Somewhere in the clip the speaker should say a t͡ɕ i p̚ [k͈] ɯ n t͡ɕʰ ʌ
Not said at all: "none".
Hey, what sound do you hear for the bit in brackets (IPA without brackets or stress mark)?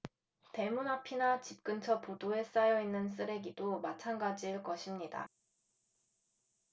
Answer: k͈